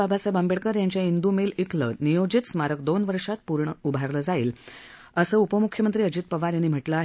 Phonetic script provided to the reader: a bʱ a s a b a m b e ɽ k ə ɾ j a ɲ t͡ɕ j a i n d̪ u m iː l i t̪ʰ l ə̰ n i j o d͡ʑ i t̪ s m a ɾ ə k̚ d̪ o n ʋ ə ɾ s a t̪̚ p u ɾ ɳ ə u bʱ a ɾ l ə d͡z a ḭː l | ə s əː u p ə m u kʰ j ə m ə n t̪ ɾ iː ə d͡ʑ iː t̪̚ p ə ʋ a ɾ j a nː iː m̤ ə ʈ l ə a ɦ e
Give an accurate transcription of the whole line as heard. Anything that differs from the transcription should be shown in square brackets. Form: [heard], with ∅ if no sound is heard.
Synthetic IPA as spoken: a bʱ a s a b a m b e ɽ k ə ɾ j a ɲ t͡ɕ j a i n d̪ u m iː l i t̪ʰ l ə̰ n i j o d͡ʑ i t̪ s m a ɾ ə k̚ d̪ o n ʋ ə ɾ [ʂ] a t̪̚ p u ɾ ɳ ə u bʱ a ɾ l ə d͡z a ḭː l | ə s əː u p ə m u kʰ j ə m ə n t̪ ɾ iː ə d͡ʑ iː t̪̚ p ə ʋ a ɾ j a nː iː m̤ ə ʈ l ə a ɦ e